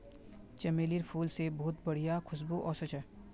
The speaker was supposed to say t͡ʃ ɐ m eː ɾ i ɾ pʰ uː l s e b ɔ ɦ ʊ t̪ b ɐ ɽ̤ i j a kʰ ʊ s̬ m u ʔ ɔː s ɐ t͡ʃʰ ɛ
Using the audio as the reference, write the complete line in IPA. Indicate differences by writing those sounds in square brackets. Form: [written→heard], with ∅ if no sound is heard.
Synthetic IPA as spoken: t͡ʃ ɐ m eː [ɾ→l] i ɾ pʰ uː l s e b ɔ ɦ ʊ t̪ b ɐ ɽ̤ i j a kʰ ʊ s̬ [m→b] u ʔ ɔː s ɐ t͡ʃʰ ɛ